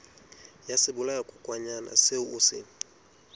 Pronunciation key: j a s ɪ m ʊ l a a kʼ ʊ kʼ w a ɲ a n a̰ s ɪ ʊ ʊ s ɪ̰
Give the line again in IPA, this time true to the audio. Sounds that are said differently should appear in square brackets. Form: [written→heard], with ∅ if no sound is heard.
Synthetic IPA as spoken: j a s ɪ [m→b] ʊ l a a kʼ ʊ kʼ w a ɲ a n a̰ s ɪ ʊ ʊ s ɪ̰

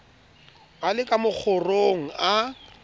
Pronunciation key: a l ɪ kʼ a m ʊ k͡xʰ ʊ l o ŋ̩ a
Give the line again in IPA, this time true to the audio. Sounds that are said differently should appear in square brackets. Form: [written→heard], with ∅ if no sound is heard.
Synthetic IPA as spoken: a l ɪ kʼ a m ʊ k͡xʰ ʊ [l→r] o ŋ̩ a

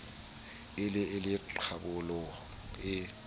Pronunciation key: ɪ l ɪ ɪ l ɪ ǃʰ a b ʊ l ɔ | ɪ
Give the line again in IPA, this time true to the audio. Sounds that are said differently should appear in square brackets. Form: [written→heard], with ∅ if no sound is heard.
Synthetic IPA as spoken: ɪ l ɪ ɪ l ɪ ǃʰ a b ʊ l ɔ | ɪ

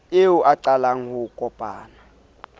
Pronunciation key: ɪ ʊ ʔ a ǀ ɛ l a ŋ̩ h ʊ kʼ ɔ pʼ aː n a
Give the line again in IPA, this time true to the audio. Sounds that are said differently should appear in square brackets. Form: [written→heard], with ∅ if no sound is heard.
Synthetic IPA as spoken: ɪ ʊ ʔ a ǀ [ɛ→a] l a ŋ̩ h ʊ kʼ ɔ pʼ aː n a

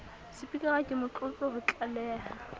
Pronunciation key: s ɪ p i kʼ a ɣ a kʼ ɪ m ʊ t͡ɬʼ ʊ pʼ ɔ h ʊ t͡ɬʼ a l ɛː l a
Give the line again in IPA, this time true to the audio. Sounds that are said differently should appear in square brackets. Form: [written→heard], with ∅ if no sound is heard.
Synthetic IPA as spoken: s ɪ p i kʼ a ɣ a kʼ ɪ m ʊ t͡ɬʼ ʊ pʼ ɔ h ʊ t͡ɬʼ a l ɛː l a

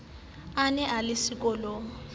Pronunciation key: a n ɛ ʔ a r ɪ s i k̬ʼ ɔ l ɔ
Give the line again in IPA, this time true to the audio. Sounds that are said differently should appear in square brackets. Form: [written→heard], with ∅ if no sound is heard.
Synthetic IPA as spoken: a n ɛ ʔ a [r→l] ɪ s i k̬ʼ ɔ l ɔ

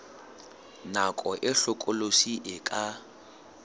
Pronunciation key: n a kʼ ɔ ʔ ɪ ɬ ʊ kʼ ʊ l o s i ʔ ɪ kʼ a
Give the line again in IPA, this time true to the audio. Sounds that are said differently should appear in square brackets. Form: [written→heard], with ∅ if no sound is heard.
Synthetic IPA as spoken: n a kʼ ɔ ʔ ɪ ɬ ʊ kʼ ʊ l o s i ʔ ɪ kʼ a

